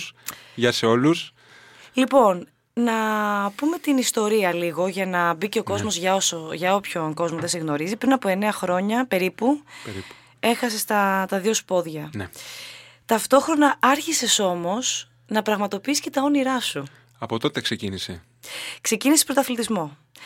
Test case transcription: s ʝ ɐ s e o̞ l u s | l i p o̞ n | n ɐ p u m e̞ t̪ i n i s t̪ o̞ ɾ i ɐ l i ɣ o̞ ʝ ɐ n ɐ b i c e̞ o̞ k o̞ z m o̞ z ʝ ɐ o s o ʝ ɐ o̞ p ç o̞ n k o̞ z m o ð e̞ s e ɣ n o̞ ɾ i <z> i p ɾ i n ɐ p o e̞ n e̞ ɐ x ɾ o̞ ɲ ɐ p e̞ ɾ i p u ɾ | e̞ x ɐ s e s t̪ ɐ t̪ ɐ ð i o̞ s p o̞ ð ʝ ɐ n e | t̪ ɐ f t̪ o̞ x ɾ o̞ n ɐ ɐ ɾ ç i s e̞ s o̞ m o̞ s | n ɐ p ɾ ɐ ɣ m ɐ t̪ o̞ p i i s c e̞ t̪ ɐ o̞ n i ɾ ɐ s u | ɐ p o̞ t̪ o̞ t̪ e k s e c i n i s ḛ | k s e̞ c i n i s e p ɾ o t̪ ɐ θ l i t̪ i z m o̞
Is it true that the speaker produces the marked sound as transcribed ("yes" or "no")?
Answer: yes